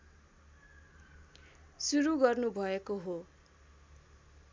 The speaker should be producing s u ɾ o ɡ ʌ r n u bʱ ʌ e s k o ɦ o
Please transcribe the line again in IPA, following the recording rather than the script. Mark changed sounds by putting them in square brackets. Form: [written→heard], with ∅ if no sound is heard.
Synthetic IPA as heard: s u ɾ [o→u] ɡ ʌ r n u bʱ ʌ e [s→∅] k o ɦ o